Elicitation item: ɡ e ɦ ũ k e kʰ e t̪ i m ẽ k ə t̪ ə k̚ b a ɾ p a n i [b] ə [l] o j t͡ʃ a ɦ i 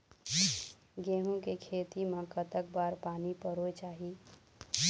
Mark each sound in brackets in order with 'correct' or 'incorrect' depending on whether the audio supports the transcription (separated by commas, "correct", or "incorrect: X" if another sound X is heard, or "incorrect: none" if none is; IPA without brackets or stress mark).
incorrect: p, incorrect: ɾ